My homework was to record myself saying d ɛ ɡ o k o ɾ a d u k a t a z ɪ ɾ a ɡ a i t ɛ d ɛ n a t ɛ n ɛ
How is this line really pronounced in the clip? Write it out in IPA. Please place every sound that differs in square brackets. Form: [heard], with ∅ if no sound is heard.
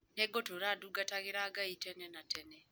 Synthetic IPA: [n] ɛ ɡ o [t] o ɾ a d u [ɡ] a t a [ɣ] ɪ ɾ a ɡ a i t ɛ [n] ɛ n a t ɛ n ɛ